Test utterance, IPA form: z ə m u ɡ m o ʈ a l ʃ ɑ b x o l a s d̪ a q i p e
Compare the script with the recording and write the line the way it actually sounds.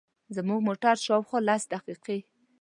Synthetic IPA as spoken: z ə m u ɡ m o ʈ a ɾ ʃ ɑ w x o l a s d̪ a q i q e